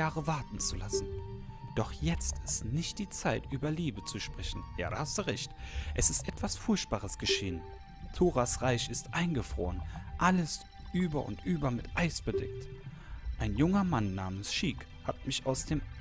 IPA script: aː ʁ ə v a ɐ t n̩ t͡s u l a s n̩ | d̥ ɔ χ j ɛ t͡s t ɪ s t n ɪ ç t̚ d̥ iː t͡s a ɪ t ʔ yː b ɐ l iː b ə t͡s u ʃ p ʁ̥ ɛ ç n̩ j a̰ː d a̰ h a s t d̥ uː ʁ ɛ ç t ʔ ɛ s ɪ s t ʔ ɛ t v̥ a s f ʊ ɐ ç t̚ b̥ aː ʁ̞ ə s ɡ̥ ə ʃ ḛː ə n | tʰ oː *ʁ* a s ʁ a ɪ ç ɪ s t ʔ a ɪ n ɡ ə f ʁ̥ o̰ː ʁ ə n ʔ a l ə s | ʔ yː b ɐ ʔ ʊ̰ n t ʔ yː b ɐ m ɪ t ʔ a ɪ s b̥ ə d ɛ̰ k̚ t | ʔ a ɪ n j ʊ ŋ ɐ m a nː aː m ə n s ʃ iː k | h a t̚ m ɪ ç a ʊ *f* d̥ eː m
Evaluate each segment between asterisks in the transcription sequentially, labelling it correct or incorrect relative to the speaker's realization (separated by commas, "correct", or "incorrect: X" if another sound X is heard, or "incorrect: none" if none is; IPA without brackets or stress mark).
correct, incorrect: s